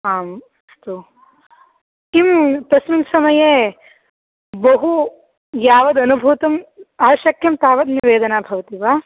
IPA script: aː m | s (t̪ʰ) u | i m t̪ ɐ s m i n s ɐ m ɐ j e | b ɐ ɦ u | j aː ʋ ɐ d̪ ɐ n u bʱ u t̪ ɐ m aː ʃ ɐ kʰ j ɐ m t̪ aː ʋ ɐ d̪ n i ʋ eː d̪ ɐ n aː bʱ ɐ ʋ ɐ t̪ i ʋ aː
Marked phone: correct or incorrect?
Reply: incorrect: t̪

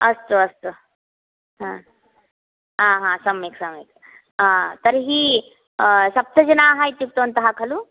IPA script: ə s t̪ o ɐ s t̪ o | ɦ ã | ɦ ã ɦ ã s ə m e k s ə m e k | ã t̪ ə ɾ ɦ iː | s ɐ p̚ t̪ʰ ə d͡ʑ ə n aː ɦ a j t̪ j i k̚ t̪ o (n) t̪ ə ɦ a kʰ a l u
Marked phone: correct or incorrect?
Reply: correct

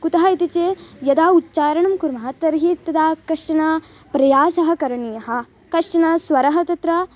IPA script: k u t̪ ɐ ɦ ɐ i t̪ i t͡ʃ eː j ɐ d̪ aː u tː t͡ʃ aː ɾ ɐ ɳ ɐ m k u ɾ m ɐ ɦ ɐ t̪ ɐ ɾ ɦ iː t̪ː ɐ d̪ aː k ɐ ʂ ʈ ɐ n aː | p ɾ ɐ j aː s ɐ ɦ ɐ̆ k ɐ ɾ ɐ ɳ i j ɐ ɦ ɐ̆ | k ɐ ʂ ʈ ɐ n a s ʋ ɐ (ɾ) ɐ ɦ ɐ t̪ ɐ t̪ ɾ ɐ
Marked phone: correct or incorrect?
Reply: correct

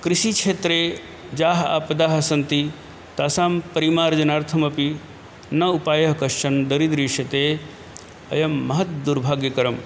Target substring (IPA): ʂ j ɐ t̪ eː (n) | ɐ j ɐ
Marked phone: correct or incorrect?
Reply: incorrect: none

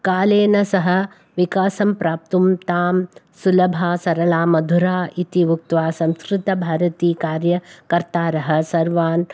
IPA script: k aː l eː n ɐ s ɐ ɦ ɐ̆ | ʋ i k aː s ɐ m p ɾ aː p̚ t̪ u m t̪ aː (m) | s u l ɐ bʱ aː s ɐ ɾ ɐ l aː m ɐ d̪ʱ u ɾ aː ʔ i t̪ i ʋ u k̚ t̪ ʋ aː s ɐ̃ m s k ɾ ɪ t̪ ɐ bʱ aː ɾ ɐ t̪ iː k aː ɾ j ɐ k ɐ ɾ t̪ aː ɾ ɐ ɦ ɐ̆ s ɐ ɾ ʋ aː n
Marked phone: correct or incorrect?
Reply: correct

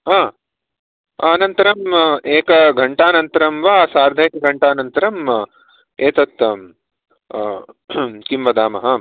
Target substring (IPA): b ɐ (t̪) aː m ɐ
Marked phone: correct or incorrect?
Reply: incorrect: d̪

